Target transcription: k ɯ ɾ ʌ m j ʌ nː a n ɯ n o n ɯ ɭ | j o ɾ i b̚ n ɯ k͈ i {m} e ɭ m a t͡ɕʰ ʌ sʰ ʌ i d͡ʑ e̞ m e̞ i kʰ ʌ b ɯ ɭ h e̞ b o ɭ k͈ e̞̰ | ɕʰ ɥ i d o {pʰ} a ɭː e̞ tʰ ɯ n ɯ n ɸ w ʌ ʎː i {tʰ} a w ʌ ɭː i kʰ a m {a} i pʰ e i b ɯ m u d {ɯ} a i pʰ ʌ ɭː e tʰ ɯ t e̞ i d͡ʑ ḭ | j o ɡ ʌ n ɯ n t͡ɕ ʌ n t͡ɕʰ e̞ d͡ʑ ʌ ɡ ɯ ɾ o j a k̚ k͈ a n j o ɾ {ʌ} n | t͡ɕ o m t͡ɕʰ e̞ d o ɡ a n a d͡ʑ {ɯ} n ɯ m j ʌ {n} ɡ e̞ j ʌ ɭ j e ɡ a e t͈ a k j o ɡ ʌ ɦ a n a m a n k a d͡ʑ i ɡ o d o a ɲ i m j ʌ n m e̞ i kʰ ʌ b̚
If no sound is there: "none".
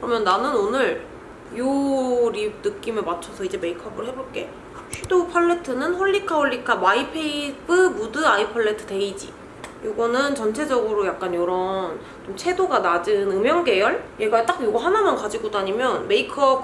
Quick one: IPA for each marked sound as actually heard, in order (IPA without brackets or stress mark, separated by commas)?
m, pʰ, kʰ, a, ɯ, ʌ, ɯ, ŋ